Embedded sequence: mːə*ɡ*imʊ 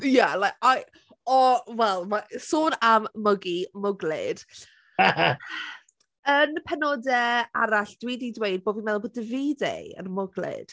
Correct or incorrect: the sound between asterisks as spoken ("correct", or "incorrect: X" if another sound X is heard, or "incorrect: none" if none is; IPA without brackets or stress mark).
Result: correct